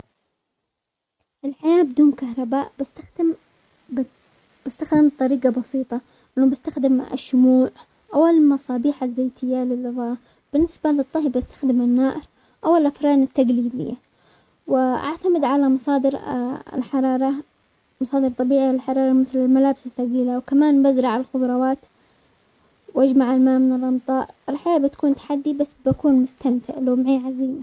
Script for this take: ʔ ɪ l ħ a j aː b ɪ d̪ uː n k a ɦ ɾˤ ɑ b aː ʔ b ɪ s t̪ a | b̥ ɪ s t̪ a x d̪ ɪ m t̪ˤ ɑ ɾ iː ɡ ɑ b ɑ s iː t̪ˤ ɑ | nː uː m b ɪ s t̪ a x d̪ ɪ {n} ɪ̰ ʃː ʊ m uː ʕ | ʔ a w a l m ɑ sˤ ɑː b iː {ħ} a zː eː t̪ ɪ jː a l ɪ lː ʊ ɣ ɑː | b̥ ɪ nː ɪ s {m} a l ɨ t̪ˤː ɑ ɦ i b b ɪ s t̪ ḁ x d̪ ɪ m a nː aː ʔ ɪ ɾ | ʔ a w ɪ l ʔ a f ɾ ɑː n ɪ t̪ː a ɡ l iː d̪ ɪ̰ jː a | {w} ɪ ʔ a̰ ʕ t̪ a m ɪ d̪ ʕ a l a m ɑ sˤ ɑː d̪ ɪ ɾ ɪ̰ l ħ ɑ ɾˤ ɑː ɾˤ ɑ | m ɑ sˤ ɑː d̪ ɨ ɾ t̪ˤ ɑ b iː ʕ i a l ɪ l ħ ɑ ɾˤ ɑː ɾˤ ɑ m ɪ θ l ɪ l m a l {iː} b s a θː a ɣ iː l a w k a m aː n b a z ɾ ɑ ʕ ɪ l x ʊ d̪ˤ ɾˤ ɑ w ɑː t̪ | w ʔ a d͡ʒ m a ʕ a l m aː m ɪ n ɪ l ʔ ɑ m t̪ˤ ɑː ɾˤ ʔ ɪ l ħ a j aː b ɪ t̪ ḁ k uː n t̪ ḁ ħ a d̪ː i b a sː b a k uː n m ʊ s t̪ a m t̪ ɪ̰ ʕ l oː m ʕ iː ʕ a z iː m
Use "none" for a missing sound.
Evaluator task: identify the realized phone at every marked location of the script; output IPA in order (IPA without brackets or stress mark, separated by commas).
m, ħ, b, w, aː